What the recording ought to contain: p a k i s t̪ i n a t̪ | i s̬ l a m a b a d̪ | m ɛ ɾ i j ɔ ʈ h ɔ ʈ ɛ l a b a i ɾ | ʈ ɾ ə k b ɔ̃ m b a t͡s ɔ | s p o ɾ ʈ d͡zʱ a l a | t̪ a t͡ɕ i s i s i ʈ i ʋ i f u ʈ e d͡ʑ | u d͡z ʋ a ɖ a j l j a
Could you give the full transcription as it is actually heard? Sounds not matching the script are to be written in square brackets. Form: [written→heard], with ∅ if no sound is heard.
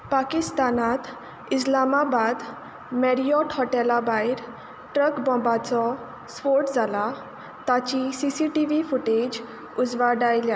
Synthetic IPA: p a k i s t̪ [i→a] n a t̪ | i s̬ l a m a b a d̪ | m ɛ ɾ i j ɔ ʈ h ɔ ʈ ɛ l a b a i ɾ | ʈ ɾ ə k b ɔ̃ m b a t͡s ɔ | s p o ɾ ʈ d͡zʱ a l a | t̪ a t͡ɕ i s i s i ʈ i ʋ i f u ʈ e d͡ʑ | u d͡z ʋ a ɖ a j l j a